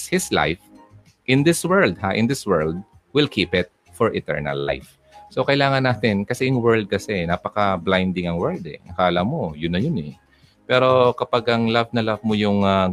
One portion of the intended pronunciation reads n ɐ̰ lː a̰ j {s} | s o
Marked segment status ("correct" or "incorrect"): incorrect